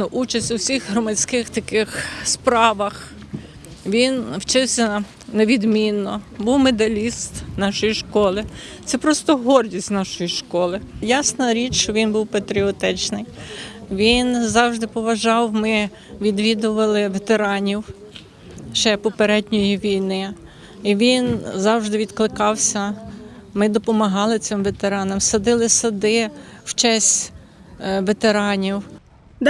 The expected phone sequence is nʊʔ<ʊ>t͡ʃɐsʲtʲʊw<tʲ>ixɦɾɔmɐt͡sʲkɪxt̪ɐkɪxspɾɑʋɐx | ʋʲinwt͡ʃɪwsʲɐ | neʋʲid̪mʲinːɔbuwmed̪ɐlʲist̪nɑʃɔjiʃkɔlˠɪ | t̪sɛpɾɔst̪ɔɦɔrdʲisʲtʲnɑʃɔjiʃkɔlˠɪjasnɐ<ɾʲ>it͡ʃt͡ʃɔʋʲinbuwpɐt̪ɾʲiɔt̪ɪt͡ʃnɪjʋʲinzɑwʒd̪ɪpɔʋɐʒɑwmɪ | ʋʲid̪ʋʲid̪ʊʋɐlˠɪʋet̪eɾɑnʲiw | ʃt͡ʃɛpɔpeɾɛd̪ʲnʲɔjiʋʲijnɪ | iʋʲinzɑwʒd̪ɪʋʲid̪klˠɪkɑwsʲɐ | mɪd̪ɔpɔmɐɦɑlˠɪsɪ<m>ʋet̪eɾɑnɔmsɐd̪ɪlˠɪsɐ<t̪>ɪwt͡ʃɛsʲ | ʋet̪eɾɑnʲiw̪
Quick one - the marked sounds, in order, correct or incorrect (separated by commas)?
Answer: incorrect, incorrect, correct, correct, incorrect